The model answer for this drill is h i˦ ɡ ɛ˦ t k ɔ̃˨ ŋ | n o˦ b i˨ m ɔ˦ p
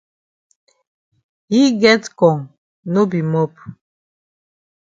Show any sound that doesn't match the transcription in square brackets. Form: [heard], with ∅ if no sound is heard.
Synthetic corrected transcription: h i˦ ɡ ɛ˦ t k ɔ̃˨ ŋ | n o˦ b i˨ m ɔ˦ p

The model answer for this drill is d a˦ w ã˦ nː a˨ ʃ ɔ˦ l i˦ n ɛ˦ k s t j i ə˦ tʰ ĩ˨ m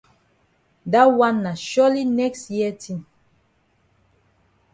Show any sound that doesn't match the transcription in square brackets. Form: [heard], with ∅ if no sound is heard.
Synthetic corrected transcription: d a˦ w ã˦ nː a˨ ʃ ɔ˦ l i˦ n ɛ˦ k s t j i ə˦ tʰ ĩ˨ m

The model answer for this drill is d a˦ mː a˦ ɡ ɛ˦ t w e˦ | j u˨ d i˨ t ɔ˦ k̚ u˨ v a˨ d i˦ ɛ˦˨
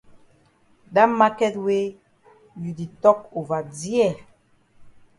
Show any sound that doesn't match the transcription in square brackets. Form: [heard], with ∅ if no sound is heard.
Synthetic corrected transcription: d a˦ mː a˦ [k] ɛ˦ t w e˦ | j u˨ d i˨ t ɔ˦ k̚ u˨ v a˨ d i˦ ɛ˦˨

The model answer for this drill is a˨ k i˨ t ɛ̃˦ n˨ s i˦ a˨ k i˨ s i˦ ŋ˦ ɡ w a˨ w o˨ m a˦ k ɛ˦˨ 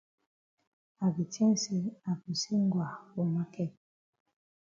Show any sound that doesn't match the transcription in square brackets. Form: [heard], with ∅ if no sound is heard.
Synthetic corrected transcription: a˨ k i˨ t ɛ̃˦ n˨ s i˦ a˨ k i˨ s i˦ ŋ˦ ɡ w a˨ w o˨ m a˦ k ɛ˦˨

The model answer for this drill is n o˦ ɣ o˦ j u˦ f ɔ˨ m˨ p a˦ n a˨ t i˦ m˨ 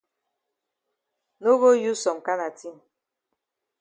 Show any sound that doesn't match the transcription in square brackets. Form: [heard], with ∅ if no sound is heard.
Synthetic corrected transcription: n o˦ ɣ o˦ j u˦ [s] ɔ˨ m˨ [k] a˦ n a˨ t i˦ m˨

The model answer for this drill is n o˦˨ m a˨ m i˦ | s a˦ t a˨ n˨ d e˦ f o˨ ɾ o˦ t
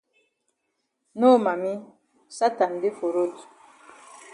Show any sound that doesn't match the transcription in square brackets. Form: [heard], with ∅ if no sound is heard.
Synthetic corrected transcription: n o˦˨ m a˨ m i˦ | s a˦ t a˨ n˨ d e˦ f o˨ ɾ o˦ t

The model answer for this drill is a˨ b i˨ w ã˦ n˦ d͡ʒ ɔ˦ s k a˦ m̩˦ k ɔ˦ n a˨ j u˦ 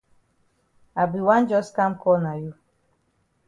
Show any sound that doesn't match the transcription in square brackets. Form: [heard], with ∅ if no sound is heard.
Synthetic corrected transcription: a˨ b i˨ w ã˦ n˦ d͡ʒ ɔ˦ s k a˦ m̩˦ k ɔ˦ n a˨ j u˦

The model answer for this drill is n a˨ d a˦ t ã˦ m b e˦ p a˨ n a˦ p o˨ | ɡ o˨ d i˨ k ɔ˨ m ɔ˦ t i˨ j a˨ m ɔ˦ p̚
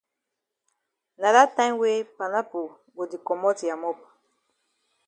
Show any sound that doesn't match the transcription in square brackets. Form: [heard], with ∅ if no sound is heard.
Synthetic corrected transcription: n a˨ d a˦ t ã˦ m [w] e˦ p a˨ n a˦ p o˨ | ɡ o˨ d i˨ k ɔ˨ m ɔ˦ t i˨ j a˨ m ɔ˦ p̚

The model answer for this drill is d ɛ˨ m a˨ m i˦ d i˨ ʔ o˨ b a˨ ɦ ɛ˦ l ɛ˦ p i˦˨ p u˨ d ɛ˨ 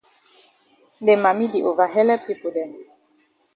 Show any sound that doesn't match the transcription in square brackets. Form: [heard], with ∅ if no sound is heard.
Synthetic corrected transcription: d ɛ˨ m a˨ m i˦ d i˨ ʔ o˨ [v] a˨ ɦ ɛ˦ l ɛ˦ p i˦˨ p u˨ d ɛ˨

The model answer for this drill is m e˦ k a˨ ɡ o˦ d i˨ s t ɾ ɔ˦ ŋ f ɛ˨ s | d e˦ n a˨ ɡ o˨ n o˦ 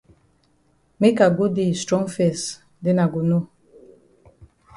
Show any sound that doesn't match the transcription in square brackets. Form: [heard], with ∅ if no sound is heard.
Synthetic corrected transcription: m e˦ k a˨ ɡ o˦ d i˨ s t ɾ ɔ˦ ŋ f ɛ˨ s | d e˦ n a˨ ɡ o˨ n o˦

